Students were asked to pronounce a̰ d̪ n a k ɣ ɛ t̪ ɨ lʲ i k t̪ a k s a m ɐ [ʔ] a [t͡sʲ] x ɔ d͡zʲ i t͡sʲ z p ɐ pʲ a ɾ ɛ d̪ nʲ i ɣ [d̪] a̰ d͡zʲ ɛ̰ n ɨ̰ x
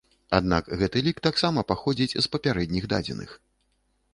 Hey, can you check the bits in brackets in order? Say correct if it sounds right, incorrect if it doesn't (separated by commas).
incorrect, incorrect, correct